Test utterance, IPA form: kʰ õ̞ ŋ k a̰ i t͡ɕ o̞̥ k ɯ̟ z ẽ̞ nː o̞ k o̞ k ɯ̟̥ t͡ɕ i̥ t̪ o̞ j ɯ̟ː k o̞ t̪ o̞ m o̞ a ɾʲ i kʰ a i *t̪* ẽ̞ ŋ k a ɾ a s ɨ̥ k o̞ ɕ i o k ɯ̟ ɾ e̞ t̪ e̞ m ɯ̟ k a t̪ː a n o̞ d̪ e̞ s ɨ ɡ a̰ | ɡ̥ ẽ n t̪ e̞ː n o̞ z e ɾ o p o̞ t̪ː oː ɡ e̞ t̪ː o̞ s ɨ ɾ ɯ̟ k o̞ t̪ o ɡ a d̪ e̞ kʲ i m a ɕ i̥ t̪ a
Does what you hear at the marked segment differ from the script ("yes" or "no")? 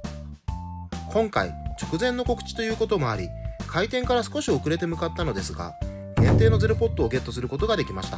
no